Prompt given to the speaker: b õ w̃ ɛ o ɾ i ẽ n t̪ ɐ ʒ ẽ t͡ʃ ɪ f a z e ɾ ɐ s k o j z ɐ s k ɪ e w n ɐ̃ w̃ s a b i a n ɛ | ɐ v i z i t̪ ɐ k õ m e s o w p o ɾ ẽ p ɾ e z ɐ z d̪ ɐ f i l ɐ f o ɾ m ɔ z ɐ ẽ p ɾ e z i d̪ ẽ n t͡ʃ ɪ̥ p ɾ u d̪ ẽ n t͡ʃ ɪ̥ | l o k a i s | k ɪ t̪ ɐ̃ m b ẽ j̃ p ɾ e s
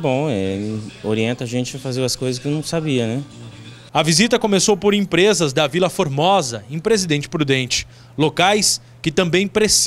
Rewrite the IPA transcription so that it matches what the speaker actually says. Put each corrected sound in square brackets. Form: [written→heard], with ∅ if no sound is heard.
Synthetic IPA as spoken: b õ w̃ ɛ o ɾ i ẽ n t̪ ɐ ʒ ẽ t͡ʃ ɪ f a z e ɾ ɐ s k o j z ɐ s k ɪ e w n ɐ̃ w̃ s a b i [a→ɐ] n ɛ | ɐ v i z i t̪ ɐ k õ m e s o w p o ɾ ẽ p ɾ e z ɐ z d̪ ɐ [f→v] i l ɐ f o ɾ m ɔ z ɐ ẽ p ɾ e z i d̪ ẽ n t͡ʃ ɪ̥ p ɾ u d̪ ẽ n t͡ʃ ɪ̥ | l o k a [i→j] s | k ɪ t̪ ɐ̃ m b ẽ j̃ p ɾ e s

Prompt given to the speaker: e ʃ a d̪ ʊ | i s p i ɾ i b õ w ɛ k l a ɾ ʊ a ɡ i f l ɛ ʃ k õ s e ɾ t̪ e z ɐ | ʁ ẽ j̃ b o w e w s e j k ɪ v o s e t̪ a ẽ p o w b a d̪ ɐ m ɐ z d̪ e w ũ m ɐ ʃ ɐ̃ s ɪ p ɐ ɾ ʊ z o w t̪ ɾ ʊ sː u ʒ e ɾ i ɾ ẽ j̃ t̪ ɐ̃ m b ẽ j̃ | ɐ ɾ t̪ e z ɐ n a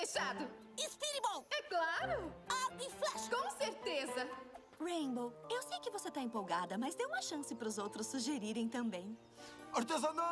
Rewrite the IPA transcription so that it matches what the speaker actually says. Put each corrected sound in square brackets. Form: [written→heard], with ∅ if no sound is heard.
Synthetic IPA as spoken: e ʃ a d̪ ʊ | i s p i ɾ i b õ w ɛ k l a ɾ ʊ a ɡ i f l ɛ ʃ k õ s e ɾ t̪ e z ɐ | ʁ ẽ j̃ b o w e w s e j k ɪ v o s e t̪ a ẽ p o w [b→ɡ] a d̪ ɐ m ɐ z d̪ e w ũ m ɐ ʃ ɐ̃ s ɪ p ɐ ɾ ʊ z o w t̪ ɾ ʊ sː u ʒ e ɾ i ɾ ẽ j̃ t̪ ɐ̃ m b ẽ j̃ | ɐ ɾ t̪ e z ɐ n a

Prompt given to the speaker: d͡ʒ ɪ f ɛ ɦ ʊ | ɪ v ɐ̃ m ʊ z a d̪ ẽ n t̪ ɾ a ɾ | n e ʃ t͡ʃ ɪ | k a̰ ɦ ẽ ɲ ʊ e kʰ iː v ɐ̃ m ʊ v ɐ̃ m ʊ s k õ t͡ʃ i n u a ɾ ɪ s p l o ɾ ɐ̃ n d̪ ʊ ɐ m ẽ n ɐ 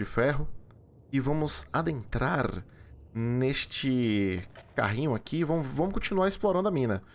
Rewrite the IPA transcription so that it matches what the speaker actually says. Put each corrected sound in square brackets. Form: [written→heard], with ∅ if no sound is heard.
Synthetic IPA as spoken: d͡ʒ ɪ f ɛ ɦ ʊ | ɪ v ɐ̃ m ʊ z a d̪ ẽ n t̪ ɾ a ɾ | n e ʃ t͡ʃ ɪ | k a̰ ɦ [ẽ→ĩ] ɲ ʊ [e→a] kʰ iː v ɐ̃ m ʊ v ɐ̃ m ʊ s k õ t͡ʃ i n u a ɾ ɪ s p l o ɾ ɐ̃ n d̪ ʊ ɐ m [ẽ→ĩ] n ɐ

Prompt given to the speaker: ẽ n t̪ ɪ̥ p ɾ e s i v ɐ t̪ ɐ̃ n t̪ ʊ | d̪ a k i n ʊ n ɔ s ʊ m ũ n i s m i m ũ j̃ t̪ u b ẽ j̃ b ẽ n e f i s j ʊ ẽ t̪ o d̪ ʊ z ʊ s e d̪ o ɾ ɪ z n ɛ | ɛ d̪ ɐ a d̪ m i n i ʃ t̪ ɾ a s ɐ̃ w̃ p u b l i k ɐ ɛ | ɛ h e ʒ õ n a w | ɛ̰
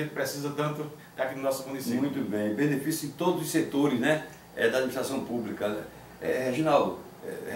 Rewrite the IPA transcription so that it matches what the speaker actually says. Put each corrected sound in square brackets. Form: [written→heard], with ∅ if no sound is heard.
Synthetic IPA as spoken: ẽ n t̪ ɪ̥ p ɾ e s i [v→z] ɐ t̪ ɐ̃ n t̪ ʊ | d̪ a k i n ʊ n ɔ s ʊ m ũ n i s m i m ũ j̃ t̪ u b ẽ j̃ b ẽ n e f i s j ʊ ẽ t̪ o d̪ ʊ z ʊ s e [d̪→t̪] o ɾ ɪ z n ɛ | ɛ d̪ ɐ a d̪ m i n i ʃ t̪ ɾ a s ɐ̃ w̃ p u b l i k ɐ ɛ | ɛ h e ʒ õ n a w | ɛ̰

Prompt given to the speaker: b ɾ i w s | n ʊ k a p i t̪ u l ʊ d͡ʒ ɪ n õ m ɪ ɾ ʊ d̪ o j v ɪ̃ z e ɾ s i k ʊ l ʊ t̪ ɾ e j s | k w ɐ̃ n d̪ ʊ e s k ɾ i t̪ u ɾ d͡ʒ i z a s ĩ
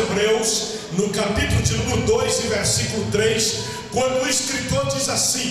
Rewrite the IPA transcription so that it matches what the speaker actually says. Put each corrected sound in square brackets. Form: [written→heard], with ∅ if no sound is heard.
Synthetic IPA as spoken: b ɾ [i→e] w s | n ʊ k a p i t̪ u l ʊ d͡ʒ ɪ n [õ→ũ] m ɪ ɾ ʊ d̪ o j [v→z] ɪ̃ [z→v] e ɾ s i k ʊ l ʊ t̪ ɾ e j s | k w ɐ̃ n d̪ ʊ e s k ɾ i t̪ [u→o] ɾ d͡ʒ i z a s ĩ

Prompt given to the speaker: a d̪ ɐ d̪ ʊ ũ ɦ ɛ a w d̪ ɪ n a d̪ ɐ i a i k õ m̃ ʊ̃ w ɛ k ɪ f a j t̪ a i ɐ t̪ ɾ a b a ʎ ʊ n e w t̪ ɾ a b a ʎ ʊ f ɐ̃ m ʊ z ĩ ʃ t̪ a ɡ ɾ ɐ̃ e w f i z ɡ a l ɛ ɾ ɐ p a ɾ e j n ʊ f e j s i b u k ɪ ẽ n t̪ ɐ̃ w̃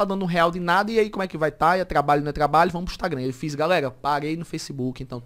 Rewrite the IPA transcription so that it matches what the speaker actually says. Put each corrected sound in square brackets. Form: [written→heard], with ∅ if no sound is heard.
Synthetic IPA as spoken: a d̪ [ɐ→ɐ̃] d̪ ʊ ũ ɦ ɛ a w d̪ ɪ n a d̪ ɐ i a i k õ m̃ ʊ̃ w ɛ k ɪ [f→v] a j t̪ a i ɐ t̪ ɾ a b a ʎ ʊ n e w t̪ ɾ a b a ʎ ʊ [f→v] ɐ̃ m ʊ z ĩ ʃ t̪ a ɡ ɾ ɐ̃ e w f i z ɡ a l ɛ ɾ ɐ p a ɾ e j n ʊ f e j s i b u k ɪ ẽ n t̪ ɐ̃ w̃

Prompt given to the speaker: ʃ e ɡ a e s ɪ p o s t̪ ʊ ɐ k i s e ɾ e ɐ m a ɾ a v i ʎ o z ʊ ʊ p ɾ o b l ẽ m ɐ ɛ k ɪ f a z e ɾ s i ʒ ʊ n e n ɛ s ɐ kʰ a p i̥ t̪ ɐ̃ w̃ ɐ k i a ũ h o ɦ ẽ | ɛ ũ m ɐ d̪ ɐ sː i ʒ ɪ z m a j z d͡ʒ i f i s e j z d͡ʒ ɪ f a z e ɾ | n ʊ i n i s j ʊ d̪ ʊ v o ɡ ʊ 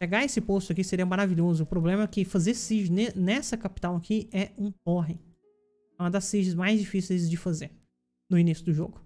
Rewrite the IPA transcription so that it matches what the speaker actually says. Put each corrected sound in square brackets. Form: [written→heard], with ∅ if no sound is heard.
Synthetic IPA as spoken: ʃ e ɡ a e s ɪ p o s t̪ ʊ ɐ k i s e ɾ [e→i] ɐ m a ɾ a v i ʎ o z ʊ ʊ p ɾ o b l ẽ m ɐ ɛ k ɪ f a z e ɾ s i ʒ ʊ n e n ɛ s ɐ [kʰ→k] a p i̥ t̪ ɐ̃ w̃ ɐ k i [a→ɛ] ũ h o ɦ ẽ | ɛ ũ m ɐ d̪ ɐ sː i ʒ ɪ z m a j z d͡ʒ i f i s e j z d͡ʒ ɪ f a z e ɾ | n ʊ i n i s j ʊ d̪ ʊ [v→ʒ] o ɡ ʊ

